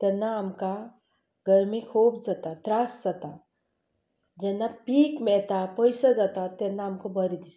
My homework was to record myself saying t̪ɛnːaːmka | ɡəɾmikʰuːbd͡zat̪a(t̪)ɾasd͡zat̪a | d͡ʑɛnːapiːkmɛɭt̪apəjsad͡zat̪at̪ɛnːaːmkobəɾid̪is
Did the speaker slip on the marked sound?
no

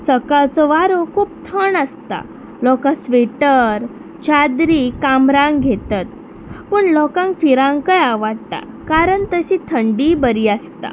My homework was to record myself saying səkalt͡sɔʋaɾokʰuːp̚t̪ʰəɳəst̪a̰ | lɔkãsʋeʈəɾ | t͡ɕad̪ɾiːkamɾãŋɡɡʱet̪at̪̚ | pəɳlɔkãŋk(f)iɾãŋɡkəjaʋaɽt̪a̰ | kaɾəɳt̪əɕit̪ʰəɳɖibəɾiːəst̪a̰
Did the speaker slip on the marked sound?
no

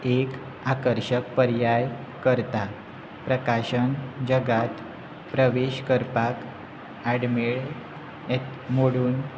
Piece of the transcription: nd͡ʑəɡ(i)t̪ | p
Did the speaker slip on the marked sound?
yes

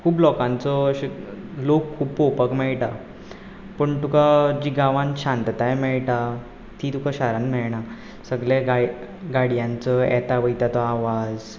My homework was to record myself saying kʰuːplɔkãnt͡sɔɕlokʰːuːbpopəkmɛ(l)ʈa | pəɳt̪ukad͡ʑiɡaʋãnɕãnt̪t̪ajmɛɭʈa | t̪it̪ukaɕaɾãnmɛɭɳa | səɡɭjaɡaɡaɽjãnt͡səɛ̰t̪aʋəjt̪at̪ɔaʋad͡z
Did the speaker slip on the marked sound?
yes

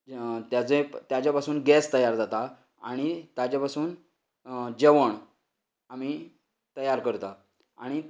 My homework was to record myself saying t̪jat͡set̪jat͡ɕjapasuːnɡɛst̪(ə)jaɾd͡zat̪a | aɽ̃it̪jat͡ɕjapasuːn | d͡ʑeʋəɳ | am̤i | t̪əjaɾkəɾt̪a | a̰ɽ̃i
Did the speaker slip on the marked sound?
no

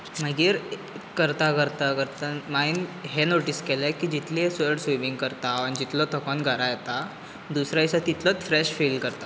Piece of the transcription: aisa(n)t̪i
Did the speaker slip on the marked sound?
yes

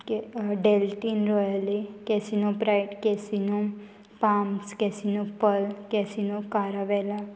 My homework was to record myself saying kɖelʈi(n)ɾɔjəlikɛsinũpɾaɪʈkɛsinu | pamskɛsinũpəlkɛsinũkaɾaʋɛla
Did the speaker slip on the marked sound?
no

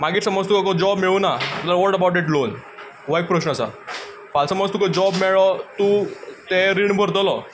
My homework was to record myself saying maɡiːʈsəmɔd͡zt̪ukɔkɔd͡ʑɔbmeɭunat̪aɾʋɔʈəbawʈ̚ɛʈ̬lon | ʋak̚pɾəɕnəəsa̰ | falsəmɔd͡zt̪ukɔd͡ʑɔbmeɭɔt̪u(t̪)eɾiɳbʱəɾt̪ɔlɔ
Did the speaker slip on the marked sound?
no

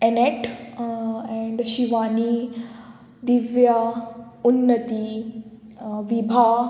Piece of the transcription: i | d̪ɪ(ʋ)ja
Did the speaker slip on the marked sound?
no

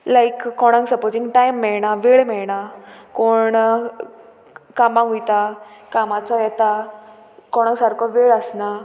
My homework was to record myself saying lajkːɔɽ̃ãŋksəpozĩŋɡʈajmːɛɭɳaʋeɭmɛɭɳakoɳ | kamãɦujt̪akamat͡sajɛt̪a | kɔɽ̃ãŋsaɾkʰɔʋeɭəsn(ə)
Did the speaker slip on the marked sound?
yes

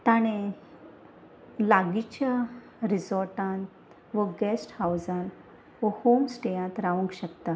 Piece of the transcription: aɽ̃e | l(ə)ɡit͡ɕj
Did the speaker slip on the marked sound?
yes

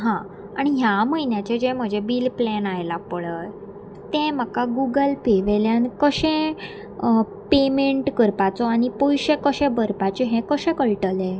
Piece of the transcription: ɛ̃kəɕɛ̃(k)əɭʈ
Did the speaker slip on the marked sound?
no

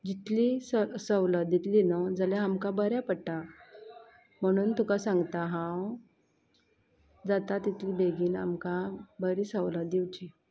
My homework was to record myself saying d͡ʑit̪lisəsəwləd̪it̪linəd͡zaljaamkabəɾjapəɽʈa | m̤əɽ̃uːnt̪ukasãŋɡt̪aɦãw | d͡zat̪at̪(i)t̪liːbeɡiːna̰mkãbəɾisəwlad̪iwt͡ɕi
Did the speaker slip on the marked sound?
no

